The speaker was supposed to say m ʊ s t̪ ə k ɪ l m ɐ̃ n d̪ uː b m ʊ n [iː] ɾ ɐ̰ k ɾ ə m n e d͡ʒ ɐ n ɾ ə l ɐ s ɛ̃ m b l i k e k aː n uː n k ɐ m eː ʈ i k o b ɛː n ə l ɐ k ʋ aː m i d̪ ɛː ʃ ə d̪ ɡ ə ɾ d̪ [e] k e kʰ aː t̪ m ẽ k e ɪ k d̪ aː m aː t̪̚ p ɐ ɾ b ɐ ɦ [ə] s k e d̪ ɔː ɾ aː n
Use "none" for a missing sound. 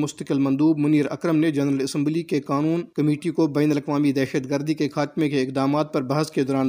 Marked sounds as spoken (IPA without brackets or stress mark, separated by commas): iː, i, ə